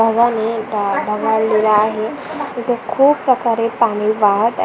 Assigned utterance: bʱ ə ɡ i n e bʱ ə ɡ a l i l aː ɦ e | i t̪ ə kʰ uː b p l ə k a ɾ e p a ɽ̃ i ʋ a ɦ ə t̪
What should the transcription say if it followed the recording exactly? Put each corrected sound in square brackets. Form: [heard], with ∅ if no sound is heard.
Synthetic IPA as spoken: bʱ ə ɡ [a] n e bʱ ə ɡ a l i l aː ɦ e | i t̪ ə kʰ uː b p [ɾ] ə k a ɾ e p a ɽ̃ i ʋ a ɦ ə t̪